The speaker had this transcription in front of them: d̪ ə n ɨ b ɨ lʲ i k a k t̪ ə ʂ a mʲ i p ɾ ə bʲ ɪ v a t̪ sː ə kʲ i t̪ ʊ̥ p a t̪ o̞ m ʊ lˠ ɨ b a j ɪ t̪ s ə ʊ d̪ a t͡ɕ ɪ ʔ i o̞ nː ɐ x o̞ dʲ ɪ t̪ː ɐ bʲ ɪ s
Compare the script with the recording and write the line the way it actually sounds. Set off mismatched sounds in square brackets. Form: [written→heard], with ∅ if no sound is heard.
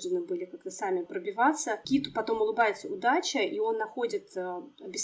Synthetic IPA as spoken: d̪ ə n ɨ b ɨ lʲ [i→ɪ] k a k t̪ ə [ʂ→s] a mʲ [i→ɪ] p ɾ ə bʲ ɪ v a t̪ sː ə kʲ i t̪ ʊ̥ p [a→ɐ] t̪ o̞ m ʊ lˠ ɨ b a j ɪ t̪ s ə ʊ d̪ a t͡ɕ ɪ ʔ i o̞ nː ɐ x o̞ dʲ ɪ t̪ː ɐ bʲ ɪ s